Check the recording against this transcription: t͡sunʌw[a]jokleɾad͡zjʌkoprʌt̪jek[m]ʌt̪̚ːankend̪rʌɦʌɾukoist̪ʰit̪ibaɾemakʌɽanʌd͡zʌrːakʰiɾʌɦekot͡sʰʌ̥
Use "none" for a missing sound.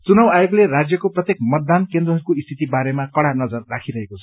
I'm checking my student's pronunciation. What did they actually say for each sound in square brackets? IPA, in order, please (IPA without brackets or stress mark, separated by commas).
a, m